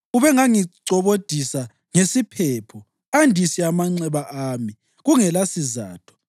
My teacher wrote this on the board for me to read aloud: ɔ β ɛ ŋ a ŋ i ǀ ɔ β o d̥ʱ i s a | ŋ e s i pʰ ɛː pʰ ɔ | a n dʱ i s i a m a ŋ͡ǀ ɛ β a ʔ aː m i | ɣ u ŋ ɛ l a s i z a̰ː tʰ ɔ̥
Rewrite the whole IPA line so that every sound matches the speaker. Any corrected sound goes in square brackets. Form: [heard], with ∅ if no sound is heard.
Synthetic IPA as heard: [u] β ɛ ŋ a ŋ i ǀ ɔ β o d̥ʱ i s a | ŋ e s i pʰ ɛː pʰ ɔ | a n dʱ i s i a m a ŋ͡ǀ ɛ β a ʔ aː m i | ɣ u ŋ ɛ l a s i z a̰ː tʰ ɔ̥